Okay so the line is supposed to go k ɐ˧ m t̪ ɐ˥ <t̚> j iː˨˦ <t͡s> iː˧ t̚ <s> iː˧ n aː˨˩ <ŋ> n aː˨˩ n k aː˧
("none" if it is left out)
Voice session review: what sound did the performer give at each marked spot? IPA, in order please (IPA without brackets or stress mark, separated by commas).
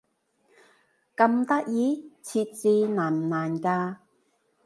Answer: k̚, t͡sʰ, t͡s, m